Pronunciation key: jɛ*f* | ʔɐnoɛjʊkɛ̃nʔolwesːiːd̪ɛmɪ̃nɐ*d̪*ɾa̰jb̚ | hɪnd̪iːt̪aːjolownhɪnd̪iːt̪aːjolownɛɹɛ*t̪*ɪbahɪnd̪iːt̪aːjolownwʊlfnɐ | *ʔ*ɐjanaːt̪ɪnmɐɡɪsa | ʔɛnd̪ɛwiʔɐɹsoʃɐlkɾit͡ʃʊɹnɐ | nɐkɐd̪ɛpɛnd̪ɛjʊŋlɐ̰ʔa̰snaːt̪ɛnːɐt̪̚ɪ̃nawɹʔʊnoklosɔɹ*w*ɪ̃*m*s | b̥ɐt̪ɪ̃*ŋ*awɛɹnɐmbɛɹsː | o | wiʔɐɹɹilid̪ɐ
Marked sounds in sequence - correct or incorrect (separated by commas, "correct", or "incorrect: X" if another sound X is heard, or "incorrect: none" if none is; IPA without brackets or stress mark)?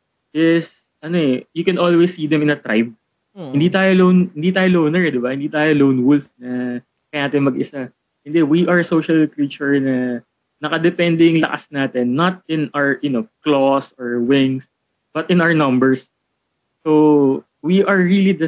incorrect: s, incorrect: t̪, incorrect: d̪, incorrect: k, correct, incorrect: ŋ, incorrect: n